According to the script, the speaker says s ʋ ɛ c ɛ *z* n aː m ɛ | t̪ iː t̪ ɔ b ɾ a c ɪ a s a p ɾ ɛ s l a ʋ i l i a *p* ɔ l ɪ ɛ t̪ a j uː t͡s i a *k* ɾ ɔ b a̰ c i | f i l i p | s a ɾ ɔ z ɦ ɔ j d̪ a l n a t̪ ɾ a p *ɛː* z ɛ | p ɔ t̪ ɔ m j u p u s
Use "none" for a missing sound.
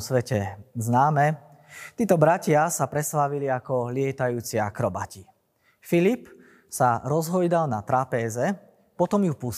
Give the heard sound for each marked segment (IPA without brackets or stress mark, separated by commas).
z, k, k, ɛː